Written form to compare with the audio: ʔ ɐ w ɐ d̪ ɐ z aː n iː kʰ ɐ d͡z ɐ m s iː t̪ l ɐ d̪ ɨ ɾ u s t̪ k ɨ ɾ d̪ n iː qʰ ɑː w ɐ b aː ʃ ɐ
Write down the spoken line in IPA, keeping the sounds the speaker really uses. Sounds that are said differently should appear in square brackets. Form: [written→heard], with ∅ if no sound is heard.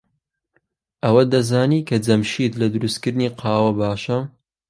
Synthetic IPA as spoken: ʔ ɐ w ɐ d̪ ɐ z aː n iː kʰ ɐ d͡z ɐ m [s→ʃ] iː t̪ l ɐ d̪ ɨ ɾ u s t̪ k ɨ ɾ d̪ n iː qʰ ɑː w ɐ b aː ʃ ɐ